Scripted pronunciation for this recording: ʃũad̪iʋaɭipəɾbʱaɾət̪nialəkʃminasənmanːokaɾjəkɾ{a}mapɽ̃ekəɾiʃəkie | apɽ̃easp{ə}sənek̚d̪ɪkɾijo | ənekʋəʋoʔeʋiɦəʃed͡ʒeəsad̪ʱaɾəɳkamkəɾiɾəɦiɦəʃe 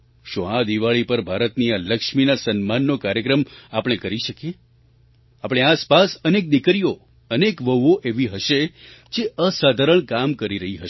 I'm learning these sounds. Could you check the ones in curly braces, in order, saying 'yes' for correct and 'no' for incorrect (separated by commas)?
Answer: no, no